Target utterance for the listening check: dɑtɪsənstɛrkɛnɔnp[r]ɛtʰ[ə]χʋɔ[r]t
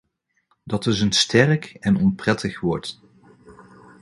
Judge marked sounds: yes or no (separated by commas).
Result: yes, yes, no